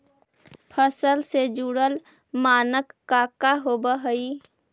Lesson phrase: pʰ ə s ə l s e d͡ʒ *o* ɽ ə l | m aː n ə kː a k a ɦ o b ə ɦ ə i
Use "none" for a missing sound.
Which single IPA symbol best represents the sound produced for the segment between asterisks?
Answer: u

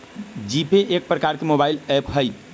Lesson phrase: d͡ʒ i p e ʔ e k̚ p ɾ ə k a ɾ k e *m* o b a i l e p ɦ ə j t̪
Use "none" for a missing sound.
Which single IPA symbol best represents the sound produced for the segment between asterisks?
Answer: m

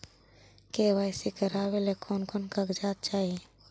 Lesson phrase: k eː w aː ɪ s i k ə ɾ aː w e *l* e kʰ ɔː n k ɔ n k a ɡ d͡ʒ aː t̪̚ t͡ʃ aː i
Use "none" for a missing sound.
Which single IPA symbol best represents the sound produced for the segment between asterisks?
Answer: l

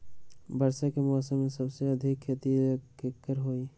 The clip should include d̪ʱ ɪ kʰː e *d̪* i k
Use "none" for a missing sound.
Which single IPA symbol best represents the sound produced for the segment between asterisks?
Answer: t̪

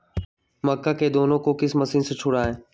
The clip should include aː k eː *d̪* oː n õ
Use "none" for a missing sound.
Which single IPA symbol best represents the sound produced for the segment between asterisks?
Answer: d̪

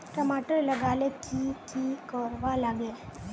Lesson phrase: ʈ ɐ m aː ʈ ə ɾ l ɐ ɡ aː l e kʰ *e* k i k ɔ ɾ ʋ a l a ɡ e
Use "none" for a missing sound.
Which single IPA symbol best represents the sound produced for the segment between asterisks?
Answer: i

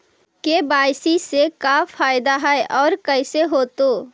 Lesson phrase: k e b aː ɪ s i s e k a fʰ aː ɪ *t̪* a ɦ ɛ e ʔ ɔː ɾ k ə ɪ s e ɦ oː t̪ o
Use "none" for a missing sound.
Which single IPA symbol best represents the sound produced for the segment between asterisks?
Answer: d̪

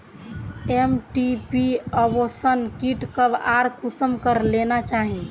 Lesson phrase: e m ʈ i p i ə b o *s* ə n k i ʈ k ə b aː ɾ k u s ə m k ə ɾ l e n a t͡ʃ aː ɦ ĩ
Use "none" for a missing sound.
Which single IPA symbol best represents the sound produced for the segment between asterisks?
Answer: s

